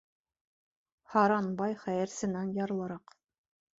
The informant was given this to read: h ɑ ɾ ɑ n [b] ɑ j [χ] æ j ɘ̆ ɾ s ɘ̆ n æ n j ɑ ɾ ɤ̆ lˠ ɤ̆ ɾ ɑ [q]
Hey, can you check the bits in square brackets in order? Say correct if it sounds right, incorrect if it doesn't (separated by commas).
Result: correct, correct, correct